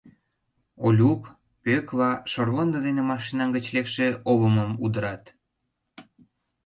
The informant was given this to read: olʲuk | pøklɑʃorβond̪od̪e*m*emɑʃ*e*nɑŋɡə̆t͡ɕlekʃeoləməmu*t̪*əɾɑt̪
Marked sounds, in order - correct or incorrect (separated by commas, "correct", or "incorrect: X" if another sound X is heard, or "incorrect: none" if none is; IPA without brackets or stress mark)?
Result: incorrect: n, incorrect: i, incorrect: d̪